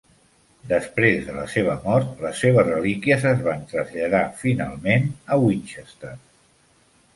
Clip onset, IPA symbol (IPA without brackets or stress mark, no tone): d̪